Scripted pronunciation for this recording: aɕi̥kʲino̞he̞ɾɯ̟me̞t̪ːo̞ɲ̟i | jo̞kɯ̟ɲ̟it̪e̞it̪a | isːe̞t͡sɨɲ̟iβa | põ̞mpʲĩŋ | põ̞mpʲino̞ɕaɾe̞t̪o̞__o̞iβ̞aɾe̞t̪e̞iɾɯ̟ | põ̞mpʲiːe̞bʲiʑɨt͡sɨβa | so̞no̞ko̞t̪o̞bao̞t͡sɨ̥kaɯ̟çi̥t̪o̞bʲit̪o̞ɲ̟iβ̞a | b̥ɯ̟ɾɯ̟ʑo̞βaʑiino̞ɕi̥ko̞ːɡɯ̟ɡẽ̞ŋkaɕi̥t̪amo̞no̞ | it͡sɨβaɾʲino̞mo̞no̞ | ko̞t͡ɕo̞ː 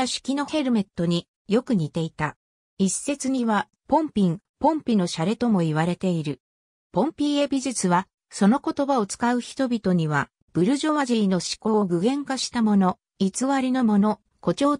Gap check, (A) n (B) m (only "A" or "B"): B